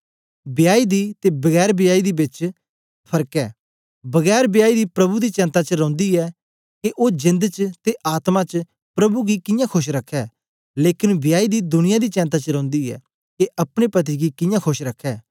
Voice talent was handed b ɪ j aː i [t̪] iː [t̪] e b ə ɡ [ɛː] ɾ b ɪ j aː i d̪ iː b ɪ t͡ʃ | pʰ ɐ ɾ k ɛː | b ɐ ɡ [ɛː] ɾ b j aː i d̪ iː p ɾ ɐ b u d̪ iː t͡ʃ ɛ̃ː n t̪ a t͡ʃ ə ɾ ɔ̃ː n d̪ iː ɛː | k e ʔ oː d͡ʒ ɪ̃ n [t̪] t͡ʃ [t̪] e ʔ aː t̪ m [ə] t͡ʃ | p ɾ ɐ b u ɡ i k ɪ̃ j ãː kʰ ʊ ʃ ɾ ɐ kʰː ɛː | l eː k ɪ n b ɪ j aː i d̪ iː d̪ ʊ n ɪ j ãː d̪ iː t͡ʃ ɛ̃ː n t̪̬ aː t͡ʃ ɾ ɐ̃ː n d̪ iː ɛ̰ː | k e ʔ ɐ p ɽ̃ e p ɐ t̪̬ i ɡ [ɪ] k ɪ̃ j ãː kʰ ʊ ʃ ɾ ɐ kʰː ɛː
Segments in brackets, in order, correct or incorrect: incorrect: d̪, correct, correct, correct, incorrect: d̪, correct, incorrect: a, incorrect: i

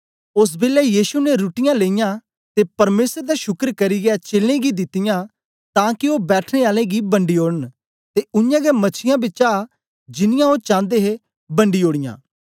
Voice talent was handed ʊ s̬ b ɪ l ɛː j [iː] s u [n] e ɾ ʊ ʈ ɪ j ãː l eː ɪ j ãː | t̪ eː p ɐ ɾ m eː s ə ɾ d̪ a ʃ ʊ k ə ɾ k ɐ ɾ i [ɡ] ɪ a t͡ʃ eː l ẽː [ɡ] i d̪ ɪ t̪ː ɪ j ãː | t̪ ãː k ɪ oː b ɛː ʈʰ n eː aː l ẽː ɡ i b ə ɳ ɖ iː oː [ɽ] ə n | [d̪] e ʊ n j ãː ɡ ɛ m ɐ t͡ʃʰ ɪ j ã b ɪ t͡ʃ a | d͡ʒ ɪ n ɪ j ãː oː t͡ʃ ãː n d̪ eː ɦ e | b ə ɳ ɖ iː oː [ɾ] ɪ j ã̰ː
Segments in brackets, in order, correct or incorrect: correct, correct, correct, correct, correct, incorrect: t̪, incorrect: ɽ

